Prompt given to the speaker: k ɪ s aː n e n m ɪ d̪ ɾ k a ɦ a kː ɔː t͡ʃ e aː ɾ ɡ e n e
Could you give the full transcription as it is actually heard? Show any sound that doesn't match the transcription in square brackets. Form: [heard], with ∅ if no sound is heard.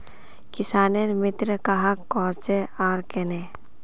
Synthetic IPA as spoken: k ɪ s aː n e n m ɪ [t̪] ɾ k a ɦ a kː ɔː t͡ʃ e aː ɾ [k] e n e

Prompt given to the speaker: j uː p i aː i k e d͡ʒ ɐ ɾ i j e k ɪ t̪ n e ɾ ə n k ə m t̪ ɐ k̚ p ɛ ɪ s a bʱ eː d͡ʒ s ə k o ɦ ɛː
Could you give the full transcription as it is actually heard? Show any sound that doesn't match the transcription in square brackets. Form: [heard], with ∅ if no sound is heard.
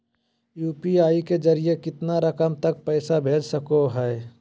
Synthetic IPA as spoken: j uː p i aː i k e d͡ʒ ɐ ɾ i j e k ɪ t̪ n [a] ɾ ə [∅] k ə m t̪ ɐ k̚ p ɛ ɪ s a bʱ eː d͡ʒ s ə k o ɦ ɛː

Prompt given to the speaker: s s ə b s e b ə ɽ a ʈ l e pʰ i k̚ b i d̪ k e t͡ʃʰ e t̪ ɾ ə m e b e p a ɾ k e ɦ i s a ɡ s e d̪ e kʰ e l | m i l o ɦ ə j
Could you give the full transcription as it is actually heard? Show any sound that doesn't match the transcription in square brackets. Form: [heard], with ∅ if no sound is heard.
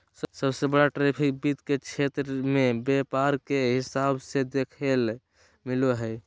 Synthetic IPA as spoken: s s ə b s e b ə ɽ a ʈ [ɾ] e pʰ i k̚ b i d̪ k e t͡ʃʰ e t̪ ɾ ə m e b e p a ɾ k e ɦ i s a [b] s e d̪ e kʰ e l | m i l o ɦ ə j

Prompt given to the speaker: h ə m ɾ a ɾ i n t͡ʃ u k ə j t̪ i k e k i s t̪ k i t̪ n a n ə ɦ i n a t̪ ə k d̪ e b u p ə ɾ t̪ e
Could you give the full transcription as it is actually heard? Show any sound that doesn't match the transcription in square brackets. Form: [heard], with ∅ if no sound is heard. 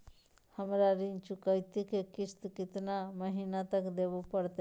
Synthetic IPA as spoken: h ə m ɾ a ɾ i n t͡ʃ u k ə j t̪ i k e k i s t̪ k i t̪ n a [m] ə ɦ i n a t̪ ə k d̪ e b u p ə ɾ t̪ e

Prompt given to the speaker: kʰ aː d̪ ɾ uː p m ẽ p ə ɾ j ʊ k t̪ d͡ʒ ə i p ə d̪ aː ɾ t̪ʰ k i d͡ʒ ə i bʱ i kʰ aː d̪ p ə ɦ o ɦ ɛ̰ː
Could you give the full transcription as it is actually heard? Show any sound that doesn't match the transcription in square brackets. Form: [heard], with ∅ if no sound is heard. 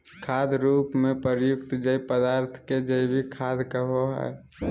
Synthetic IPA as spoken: kʰ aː d̪ ɾ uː p m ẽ p ə ɾ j ʊ k t̪ d͡ʒ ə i p ə d̪ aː ɾ t̪ʰ k [e] d͡ʒ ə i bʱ i kʰ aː d̪ [k] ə ɦ o ɦ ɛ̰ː

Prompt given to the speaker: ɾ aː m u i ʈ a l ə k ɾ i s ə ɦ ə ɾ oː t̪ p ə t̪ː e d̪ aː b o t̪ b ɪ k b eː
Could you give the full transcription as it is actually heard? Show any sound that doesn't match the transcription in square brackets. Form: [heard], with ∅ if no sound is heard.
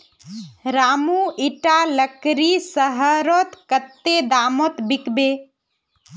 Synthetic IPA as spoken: ɾ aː m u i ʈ a l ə k ɾ i s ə ɦ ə ɾ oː t̪ [k] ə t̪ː e d̪ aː [m] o t̪ b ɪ k b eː

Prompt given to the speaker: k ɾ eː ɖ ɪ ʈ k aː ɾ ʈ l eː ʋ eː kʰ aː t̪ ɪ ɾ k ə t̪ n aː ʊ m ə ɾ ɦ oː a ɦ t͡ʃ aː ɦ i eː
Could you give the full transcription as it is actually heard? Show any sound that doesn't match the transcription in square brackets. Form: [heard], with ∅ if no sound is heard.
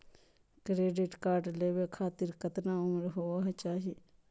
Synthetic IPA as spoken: k ɾ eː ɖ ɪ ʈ k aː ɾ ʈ l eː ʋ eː kʰ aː t̪ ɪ ɾ k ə t̪ n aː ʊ m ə ɾ ɦ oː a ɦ t͡ʃ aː ɦ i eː

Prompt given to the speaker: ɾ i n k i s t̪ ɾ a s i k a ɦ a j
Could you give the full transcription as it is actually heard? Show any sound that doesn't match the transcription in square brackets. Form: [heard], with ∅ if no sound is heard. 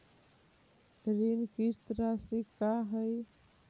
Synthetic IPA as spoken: ɾ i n k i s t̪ ɾ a s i k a ɦ [ə] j

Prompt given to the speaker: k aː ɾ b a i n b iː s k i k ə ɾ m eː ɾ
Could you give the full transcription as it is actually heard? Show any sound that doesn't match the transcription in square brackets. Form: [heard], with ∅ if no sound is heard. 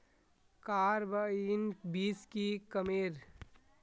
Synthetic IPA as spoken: k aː ɾ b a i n b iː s k i k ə [∅] m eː ɾ

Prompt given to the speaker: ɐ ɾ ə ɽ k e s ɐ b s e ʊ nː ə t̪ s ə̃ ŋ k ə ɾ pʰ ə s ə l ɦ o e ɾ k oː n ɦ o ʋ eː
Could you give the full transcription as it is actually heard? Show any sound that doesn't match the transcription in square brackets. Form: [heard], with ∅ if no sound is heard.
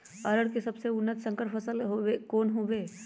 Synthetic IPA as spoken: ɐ ɾ ə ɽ k e s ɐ b s e ʊ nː ə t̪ s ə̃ ŋ k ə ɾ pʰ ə s ə l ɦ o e [∅] k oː n ɦ o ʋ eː

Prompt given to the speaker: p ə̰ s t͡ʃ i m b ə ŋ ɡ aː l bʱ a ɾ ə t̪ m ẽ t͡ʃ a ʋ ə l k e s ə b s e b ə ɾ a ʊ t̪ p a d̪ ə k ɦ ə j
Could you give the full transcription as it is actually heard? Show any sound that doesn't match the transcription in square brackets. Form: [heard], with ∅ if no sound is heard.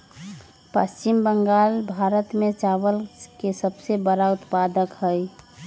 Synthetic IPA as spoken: p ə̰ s t͡ʃ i m b ə ŋ ɡ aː l bʱ a ɾ ə t̪ m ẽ t͡ʃ a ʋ ə l k e s ə b s e b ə ɾ a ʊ t̪ p a d̪ ə k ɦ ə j

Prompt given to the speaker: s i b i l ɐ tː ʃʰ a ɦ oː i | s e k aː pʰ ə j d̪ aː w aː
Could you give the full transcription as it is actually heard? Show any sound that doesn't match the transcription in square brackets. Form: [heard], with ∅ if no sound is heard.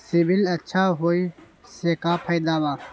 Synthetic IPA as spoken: s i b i l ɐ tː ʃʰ a ɦ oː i | s e k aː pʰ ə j d̪ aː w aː

